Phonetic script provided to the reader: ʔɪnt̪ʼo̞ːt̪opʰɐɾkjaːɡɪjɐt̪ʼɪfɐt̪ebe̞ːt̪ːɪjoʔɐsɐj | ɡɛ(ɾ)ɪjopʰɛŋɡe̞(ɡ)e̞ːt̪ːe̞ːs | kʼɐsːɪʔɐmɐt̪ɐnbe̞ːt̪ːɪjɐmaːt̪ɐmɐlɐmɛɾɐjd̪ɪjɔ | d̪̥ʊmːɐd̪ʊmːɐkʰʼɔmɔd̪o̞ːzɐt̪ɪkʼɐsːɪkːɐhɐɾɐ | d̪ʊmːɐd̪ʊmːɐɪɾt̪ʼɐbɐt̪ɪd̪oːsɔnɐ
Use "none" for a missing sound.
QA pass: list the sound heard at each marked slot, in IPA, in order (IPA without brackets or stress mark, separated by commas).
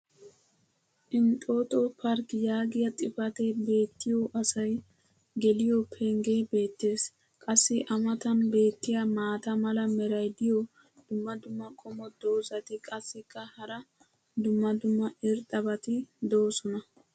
l, b